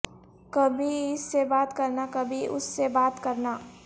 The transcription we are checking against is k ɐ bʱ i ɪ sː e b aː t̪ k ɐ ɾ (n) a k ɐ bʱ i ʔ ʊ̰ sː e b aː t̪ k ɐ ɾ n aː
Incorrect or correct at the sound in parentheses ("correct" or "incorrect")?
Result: correct